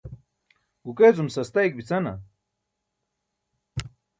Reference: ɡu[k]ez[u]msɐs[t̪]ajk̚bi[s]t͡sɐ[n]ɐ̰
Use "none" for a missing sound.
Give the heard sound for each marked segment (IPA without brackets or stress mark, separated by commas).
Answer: k, u, t̪, none, n